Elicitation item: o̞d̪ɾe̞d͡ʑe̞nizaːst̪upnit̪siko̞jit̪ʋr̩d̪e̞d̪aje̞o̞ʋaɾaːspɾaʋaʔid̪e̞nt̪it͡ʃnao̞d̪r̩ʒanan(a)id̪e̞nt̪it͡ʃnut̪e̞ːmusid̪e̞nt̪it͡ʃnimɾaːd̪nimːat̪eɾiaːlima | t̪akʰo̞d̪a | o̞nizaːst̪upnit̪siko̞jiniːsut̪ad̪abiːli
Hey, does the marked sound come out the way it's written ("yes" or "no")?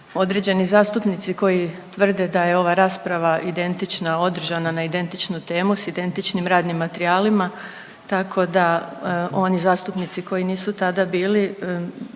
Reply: yes